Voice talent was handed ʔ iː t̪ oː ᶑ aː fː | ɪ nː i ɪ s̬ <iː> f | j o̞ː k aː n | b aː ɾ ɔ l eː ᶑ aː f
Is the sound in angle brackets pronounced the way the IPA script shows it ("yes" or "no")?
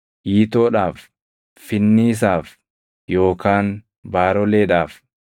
no